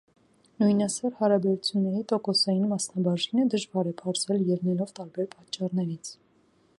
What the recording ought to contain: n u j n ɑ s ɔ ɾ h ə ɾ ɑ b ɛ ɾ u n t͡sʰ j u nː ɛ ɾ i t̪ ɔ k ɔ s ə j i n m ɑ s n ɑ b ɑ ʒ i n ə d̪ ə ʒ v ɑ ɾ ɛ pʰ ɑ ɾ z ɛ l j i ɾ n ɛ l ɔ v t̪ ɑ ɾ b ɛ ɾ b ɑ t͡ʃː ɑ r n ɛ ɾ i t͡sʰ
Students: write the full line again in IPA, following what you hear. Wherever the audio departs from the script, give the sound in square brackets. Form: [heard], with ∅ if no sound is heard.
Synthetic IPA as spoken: n u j n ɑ s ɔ ɾ h [ɑ] ɾ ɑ b ɛ ɾ u [∅] t͡sʰ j u nː ɛ ɾ i t̪ ɔ k ɔ s [ɑ] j i n m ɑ s n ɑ b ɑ ʒ i n ə d̪ ə ʒ v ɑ ɾ ɛ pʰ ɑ ɾ z ɛ l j [ɛ] ɾ n ɛ l ɔ v t̪ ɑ ɾ b ɛ ɾ [p] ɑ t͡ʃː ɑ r n ɛ ɾ i t͡sʰ